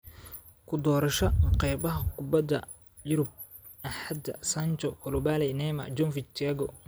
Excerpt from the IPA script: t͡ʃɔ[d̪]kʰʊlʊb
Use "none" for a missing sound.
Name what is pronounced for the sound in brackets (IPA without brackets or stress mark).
none